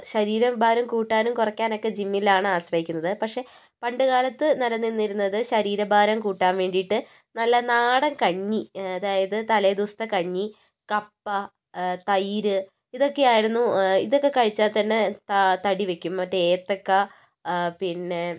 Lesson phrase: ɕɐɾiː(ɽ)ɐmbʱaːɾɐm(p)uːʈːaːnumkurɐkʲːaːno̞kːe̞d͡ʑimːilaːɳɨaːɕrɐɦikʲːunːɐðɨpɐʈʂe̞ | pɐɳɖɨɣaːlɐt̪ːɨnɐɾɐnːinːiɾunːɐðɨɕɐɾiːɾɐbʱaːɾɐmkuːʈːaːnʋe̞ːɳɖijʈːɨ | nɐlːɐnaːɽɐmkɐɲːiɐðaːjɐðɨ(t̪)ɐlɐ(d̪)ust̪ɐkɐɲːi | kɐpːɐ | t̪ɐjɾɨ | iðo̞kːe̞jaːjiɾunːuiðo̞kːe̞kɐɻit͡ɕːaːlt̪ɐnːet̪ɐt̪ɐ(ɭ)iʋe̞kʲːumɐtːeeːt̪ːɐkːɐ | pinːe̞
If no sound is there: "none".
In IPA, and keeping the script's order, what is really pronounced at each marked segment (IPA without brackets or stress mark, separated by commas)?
ɾ, k, t̪, d̪, ɽ